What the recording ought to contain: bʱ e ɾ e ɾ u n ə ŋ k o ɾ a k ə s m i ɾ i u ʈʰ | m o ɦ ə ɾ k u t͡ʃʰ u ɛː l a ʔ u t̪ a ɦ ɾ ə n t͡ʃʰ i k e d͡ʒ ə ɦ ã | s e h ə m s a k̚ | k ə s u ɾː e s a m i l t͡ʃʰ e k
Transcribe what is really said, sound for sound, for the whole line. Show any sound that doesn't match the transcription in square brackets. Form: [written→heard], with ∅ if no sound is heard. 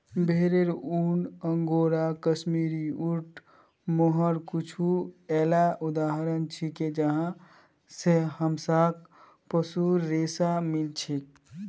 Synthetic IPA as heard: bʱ e ɾ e ɾ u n ə ŋ [k→ɡ] o ɾ a k ə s m i ɾ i u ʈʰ | m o ɦ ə ɾ k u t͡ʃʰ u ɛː l a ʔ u [t̪→d̪] a ɦ ɾ ə n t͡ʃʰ i k e d͡ʒ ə ɦ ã | s e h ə m s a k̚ | [k→p] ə s u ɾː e s a m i l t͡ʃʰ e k